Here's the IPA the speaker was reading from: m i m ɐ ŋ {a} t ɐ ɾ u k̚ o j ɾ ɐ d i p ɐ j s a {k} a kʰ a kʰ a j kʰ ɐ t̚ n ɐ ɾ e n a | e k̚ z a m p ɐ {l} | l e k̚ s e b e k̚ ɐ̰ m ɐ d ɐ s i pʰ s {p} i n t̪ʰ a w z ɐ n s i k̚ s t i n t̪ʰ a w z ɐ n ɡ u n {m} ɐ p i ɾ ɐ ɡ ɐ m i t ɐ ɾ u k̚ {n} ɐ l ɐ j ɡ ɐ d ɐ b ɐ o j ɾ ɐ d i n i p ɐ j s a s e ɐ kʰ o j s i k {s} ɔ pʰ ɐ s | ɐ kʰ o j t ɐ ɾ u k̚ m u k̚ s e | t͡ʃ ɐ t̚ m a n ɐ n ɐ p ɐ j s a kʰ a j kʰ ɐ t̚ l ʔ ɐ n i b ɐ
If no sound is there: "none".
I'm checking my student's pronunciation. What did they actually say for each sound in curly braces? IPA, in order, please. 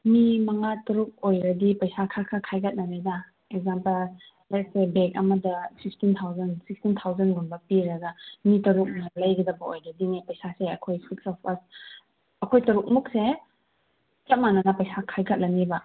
a, kʰ, l, t, b, n, s

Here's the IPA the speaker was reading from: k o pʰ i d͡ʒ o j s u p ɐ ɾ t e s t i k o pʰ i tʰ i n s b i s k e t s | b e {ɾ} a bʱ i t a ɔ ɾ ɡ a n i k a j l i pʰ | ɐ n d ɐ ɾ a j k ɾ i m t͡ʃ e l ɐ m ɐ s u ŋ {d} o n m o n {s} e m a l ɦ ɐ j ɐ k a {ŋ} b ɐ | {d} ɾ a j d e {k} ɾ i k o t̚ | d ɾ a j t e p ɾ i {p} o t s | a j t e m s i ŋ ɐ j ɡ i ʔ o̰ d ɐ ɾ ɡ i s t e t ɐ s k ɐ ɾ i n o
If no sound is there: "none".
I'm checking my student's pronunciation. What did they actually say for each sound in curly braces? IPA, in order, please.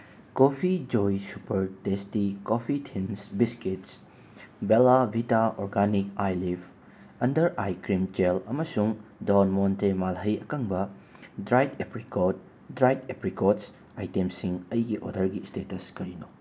l, d, t, ŋ, d, p, k

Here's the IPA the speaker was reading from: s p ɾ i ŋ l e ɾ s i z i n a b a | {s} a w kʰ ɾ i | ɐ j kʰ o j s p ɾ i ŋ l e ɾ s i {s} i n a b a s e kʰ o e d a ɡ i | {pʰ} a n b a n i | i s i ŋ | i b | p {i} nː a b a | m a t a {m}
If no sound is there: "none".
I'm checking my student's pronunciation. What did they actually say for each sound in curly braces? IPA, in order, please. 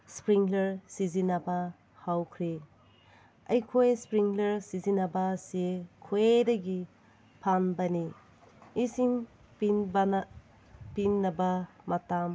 h, z, pʰ, i, m

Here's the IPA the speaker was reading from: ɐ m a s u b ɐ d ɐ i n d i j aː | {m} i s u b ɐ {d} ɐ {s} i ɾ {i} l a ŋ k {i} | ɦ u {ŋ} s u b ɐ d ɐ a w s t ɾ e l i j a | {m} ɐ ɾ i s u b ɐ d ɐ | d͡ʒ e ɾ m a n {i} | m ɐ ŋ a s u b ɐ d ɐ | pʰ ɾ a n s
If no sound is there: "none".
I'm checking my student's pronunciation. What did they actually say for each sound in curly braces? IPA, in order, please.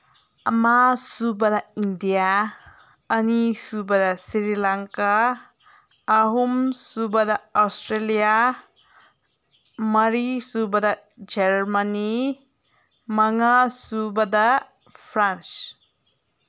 n, d, s, i, a, m, m, i

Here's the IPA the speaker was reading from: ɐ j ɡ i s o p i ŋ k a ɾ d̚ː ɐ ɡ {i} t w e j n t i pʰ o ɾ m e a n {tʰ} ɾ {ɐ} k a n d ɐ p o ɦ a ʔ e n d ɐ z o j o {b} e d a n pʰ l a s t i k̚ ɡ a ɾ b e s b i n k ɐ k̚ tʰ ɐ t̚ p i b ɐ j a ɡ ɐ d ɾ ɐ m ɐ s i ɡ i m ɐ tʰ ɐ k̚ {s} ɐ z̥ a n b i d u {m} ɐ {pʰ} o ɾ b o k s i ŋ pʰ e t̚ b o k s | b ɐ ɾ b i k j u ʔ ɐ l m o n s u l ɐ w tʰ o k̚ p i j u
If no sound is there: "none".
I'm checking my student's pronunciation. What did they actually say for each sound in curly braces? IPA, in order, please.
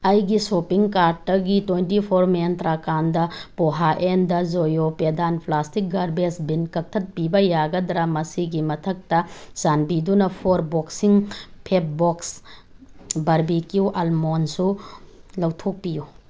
i, t, a, p, t, n, pʰ

